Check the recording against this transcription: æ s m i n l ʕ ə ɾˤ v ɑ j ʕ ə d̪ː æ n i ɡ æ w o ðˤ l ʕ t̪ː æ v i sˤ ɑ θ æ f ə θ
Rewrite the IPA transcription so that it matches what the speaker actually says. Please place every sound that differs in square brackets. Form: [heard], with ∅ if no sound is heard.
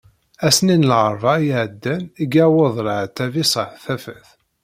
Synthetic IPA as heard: æ s [n] i n l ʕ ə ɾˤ v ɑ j ʕ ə d̪ː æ n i ɡ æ w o ðˤ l ʕ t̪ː æ v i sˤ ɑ θ æ f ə θ